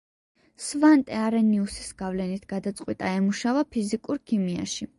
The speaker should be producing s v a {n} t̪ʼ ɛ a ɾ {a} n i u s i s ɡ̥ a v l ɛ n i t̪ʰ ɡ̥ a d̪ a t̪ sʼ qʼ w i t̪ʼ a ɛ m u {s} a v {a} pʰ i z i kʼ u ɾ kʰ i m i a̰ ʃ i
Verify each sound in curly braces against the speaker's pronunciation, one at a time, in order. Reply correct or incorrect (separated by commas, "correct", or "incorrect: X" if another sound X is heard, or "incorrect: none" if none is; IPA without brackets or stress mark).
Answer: correct, incorrect: ɛ, incorrect: ʃ, correct